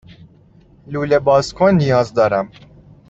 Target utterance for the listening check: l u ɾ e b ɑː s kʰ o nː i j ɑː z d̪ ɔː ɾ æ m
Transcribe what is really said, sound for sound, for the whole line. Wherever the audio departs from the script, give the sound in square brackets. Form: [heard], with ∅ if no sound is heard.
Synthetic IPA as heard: l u [l] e b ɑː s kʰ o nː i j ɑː z d̪ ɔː ɾ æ m